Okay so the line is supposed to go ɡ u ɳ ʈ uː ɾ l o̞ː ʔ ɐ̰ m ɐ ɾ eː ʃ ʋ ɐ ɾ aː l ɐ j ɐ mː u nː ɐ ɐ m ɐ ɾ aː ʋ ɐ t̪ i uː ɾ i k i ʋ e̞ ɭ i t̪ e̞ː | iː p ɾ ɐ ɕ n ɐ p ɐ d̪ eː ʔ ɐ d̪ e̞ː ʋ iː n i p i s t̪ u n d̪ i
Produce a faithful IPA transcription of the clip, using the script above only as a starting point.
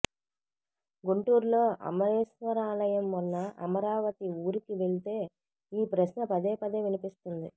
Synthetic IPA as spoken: ɡ u ɳ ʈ uː ɾ l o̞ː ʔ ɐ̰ m ɐ ɾ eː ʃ ʋ ɐ ɾ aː l ɐ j ɐ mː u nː ɐ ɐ m ɐ ɾ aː ʋ ɐ t̪ i uː ɾ i k i ʋ e̞ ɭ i t̪ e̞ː | iː p ɾ ɐ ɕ n ɐ p ɐ d̪ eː p ɐ d̪ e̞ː ʋ i n i p i s t̪ u n d̪ i